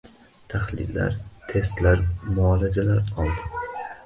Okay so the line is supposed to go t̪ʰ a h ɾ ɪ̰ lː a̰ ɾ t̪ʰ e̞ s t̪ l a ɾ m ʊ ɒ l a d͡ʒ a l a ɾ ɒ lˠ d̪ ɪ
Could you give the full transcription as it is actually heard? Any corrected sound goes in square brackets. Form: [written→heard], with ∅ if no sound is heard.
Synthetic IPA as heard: t̪ʰ a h [ɾ→l] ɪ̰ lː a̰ ɾ t̪ʰ e̞ s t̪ l a ɾ m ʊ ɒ l a d͡ʒ a l a ɾ ɒ lˠ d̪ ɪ